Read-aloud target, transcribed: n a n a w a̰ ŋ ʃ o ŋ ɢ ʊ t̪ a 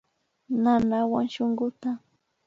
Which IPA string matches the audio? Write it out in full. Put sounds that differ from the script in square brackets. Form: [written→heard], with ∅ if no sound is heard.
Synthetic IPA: n a n a w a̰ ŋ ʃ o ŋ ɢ ʊ t̪ a